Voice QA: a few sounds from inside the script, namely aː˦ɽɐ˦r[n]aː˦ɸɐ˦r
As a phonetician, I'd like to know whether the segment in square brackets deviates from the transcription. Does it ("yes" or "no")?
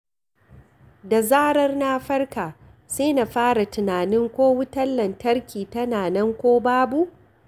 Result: no